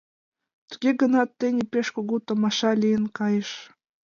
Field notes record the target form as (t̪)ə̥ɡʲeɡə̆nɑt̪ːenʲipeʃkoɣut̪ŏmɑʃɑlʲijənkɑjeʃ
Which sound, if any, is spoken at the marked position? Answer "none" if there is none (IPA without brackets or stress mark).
t̪